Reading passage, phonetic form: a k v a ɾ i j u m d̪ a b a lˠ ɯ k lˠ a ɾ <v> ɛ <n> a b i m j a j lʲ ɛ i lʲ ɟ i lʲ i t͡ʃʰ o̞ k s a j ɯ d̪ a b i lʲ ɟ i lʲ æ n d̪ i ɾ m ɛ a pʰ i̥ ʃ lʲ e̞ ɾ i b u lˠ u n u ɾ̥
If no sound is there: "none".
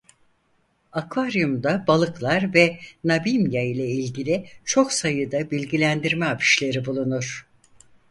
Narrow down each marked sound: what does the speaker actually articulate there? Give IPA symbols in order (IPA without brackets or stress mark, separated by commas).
v, n